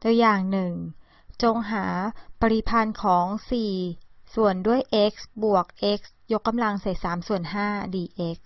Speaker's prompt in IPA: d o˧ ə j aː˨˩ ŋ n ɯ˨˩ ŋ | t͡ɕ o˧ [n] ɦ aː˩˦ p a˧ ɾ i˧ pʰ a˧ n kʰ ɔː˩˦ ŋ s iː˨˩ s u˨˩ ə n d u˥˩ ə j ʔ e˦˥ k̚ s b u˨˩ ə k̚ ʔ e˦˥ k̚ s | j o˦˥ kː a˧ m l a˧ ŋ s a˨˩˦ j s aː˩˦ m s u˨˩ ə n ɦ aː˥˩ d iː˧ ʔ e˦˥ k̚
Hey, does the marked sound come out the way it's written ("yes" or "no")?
no